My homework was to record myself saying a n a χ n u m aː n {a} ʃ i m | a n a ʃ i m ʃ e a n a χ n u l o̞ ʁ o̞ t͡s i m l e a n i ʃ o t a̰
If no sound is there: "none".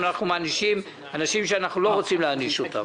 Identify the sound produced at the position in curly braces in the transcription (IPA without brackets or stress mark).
i